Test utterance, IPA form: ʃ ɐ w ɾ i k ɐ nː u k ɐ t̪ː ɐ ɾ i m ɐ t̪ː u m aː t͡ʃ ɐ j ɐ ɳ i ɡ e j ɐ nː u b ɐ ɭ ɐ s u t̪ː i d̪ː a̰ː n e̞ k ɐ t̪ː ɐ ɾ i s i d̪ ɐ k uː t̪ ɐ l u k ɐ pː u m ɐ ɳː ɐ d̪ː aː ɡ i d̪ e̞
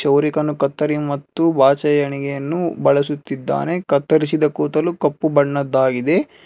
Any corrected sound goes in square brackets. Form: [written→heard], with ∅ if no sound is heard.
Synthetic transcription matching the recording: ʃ ɐ w ɾ i k ɐ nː u k ɐ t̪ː ɐ ɾ i m ɐ t̪ː u [m→b] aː t͡ʃ ɐ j ɐ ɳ i ɡ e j ɐ nː u b ɐ ɭ ɐ s u t̪ː i d̪ː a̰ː n e̞ k ɐ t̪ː ɐ ɾ i s i d̪ ɐ k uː t̪ ɐ l u k ɐ pː u [m→b] ɐ ɳː ɐ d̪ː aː ɡ i d̪ e̞